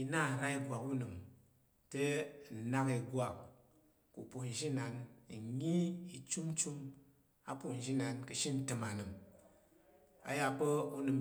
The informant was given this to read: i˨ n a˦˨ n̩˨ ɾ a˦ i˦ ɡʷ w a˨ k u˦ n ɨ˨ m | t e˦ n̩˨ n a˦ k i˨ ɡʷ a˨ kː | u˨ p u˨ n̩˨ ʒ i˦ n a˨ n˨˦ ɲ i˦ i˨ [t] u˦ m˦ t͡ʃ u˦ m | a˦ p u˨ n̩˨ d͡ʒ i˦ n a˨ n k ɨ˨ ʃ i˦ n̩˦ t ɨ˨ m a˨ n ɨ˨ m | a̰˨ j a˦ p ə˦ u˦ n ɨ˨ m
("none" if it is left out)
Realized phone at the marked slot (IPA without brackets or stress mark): t͡ʃ